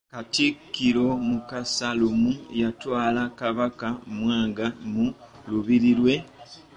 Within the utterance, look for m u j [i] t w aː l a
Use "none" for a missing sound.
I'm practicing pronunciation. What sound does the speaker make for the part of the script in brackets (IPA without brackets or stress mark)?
a